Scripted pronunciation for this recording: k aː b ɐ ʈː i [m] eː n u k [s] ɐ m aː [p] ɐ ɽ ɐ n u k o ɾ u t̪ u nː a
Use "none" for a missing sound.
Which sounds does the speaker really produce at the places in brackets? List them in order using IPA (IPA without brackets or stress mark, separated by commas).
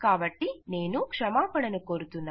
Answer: n, ʂ, p